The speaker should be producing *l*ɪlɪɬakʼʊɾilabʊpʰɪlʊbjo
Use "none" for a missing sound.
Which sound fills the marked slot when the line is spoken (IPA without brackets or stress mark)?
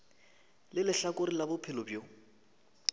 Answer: l